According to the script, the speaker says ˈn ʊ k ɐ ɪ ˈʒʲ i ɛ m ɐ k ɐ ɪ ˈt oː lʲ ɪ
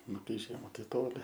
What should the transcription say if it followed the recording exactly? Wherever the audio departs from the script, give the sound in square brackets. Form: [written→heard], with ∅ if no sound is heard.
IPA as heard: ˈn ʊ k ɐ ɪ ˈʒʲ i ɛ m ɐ [k→t] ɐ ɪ ˈt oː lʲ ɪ